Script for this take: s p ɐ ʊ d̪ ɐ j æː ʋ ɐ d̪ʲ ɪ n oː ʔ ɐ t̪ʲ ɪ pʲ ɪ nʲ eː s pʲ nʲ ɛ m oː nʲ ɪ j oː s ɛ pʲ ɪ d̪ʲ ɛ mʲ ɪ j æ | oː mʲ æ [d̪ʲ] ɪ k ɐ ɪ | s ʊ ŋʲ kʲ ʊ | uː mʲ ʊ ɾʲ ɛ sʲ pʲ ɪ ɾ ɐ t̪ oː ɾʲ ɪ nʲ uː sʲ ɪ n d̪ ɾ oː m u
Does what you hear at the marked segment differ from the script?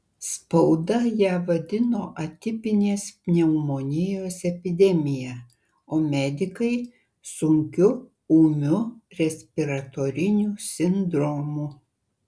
no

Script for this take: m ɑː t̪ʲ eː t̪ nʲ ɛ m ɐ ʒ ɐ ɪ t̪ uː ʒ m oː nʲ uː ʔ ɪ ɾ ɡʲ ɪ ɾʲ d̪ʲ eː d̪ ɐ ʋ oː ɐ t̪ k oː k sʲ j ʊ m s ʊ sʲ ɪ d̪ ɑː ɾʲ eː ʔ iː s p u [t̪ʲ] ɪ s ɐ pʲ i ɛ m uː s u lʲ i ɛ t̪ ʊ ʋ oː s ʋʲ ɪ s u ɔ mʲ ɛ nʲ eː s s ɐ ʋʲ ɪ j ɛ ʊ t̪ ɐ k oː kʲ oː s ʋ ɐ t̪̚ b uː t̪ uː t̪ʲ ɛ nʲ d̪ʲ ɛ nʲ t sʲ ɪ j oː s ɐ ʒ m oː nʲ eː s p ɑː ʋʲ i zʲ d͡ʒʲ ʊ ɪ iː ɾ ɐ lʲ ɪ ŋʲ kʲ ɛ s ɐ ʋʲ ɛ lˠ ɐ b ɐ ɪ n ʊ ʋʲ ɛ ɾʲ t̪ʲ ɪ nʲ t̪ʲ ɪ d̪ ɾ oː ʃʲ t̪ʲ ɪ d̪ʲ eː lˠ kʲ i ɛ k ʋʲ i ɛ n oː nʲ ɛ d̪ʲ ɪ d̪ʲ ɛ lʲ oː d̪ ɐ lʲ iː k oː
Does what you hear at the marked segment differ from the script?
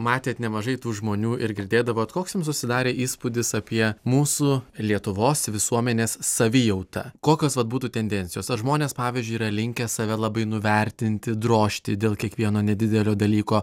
yes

